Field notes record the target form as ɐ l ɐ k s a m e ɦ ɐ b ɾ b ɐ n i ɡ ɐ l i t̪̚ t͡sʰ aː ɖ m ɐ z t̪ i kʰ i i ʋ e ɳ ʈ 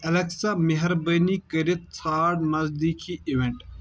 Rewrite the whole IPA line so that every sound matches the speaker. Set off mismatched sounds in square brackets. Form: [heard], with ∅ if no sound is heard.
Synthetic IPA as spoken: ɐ l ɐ k s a m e ɦ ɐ [∅] ɾ b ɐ n i [k] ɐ [ɾ] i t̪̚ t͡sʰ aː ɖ m ɐ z [d̪] i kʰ i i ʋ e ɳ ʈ